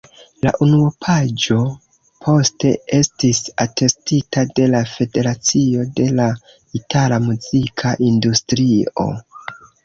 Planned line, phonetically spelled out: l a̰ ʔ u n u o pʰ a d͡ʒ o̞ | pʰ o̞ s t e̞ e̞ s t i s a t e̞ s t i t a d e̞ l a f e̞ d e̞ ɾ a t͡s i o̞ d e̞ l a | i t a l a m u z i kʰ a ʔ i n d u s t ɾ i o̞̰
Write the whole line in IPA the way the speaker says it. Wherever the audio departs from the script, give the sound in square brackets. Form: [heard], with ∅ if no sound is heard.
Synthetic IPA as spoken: l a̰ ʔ u n u o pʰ a d͡ʒ o̞ | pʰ o̞ s t e̞ e̞ s t i s a t e̞ s t i t a d e̞ l a f e̞ d e̞ ɾ a t͡s i o̞ d e̞ l a | i t a l a m u z i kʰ a ʔ i n d u s t ɾ i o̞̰